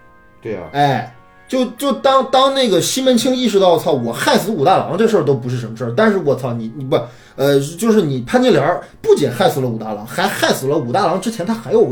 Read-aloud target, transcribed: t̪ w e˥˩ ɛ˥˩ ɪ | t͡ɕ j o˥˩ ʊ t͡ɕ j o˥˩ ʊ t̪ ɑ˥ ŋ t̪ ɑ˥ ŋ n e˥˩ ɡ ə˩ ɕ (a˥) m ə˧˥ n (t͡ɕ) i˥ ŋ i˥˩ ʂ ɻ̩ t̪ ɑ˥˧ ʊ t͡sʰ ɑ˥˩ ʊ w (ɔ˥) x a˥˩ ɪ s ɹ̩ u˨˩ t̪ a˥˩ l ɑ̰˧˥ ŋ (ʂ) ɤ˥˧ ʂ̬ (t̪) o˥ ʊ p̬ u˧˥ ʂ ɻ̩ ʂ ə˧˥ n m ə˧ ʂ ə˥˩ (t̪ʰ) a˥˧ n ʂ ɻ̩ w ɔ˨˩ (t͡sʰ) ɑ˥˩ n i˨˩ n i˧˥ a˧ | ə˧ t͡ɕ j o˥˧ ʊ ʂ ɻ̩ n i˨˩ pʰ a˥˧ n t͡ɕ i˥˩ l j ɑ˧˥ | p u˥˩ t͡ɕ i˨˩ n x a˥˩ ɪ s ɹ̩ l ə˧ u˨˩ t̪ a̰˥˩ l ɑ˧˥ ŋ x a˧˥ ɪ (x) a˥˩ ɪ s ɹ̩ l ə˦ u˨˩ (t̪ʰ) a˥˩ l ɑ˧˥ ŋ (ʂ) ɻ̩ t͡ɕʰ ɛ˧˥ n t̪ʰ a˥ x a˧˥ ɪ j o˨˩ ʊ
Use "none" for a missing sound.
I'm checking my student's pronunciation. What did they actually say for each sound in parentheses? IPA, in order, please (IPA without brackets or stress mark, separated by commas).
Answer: i˥, t͡ɕʰ, ɔ˨˩, ʈ͡ʂ, t̪, t̪, t͡sʰ, x, t̪, ʈ͡ʂ